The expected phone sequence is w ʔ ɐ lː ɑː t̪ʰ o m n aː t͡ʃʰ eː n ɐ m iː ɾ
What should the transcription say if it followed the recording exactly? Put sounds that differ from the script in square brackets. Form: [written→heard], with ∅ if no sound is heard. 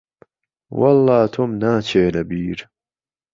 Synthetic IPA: w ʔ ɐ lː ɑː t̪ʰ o m n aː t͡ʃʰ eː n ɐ [m→b] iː ɾ